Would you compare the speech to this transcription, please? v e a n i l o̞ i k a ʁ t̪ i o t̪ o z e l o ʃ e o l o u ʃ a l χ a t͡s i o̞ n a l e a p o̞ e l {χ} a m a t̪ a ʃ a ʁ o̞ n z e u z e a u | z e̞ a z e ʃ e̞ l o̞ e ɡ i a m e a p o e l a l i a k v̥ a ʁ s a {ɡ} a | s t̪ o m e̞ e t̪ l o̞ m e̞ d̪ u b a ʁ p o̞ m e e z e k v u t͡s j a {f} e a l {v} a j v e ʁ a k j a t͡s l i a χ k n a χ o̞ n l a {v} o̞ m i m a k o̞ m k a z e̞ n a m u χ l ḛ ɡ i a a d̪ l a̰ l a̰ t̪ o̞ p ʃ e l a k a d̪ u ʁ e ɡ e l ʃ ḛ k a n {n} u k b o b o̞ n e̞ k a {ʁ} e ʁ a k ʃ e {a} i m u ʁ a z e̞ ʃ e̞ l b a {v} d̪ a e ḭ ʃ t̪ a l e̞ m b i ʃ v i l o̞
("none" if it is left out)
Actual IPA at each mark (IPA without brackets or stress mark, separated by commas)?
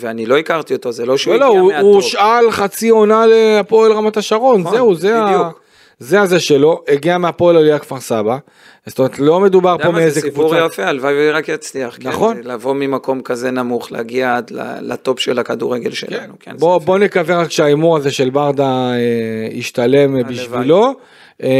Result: ʁ, b, f, v, v, n, v, a, ʁ